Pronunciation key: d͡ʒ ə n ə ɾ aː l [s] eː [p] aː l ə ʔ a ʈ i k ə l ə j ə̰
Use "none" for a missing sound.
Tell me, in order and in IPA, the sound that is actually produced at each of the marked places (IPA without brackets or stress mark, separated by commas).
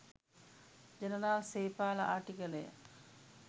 s, p